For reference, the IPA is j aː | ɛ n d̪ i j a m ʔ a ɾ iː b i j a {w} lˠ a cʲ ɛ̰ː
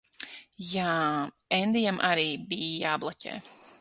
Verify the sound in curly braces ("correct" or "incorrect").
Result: incorrect